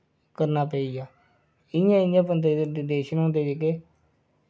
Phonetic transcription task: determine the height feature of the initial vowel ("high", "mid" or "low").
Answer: mid